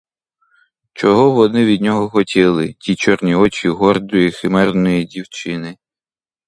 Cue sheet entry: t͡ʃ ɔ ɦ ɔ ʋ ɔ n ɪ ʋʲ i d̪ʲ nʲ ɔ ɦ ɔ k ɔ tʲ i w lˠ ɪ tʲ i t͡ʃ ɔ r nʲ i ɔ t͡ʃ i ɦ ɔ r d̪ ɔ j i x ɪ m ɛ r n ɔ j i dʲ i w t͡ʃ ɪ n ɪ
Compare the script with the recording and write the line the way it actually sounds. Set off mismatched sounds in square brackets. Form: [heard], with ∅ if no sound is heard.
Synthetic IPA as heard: t͡ʃ ɔ ɦ ɔ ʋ ɔ n ɪ ʋʲ i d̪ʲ nʲ ɔ ɦ ɔ [x] ɔ tʲ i [∅] lˠ ɪ tʲ i t͡ʃ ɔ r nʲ i ɔ t͡ʃ i ɦ ɔ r d̪ ɔ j i x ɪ m ɛ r n ɔ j i dʲ i w t͡ʃ ɪ n ɪ